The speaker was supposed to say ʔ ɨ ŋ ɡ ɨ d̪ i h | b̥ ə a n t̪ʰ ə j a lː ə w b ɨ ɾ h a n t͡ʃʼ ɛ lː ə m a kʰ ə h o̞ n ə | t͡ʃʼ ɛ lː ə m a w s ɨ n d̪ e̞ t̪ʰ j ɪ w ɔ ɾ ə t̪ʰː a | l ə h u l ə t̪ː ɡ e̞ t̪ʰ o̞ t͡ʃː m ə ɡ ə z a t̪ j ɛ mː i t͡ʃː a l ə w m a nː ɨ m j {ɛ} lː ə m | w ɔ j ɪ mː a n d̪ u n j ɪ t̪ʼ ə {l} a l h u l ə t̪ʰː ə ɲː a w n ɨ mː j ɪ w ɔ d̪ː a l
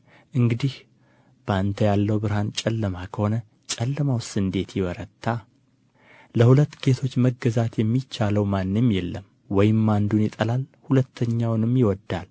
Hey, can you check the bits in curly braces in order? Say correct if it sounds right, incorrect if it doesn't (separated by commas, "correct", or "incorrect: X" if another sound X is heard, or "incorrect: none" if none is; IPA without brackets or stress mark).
correct, correct